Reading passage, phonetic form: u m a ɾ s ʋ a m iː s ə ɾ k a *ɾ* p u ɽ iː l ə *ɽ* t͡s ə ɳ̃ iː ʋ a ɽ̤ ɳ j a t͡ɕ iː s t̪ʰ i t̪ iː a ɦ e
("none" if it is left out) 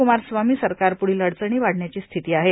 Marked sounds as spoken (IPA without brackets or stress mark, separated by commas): ɾ, ɽ